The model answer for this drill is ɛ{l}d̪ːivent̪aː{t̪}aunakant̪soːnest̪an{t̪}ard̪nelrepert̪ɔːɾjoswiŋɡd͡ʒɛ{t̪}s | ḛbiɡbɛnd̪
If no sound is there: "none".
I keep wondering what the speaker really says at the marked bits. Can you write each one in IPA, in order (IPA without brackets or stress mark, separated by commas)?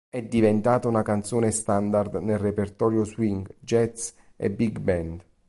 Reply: none, t̪, d̪, t̪